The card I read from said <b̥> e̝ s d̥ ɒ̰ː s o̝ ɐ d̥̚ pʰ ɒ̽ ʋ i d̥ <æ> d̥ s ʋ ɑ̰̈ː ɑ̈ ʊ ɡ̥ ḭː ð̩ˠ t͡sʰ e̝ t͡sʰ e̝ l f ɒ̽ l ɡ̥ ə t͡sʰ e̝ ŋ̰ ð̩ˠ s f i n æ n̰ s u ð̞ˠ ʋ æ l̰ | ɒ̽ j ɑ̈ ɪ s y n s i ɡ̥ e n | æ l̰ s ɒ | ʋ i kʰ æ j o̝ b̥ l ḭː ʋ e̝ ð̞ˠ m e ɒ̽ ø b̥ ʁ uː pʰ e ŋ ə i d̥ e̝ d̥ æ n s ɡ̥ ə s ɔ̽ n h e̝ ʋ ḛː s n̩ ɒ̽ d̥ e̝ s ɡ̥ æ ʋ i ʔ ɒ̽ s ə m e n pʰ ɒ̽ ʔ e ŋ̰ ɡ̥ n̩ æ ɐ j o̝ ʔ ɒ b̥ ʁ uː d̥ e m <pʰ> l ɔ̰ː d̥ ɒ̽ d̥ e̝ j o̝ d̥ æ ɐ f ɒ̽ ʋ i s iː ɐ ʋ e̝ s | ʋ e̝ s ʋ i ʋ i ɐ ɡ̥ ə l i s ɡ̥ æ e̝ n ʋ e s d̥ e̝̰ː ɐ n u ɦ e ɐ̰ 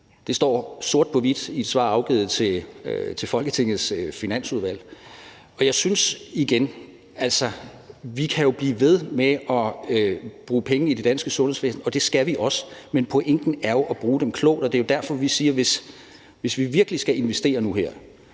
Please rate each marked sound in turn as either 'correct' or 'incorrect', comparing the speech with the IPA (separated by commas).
incorrect, incorrect, incorrect